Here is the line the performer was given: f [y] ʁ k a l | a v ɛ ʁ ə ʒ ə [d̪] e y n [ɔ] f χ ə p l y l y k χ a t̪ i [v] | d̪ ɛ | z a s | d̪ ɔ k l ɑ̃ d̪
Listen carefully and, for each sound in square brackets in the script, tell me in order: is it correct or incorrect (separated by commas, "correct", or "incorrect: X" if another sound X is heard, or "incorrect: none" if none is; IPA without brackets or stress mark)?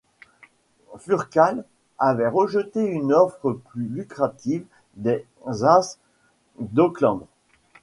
correct, incorrect: t̪, correct, correct